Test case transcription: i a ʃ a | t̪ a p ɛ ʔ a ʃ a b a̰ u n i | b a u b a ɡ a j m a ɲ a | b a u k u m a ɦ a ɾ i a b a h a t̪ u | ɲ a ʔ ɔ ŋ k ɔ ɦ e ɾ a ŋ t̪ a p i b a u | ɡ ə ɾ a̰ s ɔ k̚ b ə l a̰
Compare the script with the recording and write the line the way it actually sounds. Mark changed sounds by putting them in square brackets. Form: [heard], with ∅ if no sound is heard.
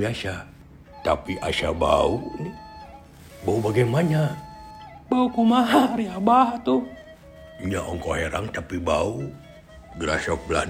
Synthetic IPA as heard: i a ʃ a | t̪ a p [i] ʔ a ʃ a b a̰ u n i | b a u b a ɡ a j m a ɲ a | b a u k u m a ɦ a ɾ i a b a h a t̪ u | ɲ a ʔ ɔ ŋ k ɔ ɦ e ɾ a ŋ t̪ a p i b a u | ɡ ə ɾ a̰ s ɔ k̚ b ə l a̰